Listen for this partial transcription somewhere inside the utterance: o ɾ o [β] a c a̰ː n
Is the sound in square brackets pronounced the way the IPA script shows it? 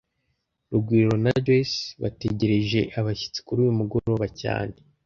yes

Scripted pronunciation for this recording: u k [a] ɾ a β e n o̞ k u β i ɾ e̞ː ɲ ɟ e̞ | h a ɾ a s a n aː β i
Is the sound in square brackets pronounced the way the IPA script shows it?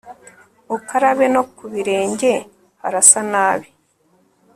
yes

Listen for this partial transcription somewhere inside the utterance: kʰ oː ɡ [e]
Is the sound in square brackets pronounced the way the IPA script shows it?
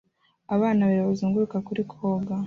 no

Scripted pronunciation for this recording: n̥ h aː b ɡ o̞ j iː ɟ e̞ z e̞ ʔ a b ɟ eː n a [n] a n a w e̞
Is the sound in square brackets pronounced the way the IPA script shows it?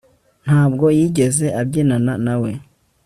yes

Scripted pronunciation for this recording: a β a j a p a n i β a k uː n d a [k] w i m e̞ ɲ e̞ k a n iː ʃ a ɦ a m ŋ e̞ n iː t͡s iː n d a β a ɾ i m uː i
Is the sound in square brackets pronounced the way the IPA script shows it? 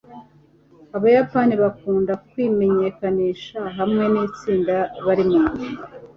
yes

